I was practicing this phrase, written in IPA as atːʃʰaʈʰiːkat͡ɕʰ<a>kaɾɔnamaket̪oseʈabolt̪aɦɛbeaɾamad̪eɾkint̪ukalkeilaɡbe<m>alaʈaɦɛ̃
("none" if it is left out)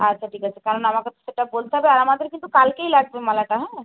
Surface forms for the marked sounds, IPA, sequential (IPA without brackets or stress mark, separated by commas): e, m